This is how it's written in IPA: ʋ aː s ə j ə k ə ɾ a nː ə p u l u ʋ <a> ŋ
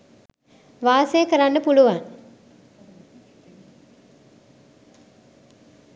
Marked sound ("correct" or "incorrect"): correct